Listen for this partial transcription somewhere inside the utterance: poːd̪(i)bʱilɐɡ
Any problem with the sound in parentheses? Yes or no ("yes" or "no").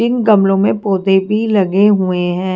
yes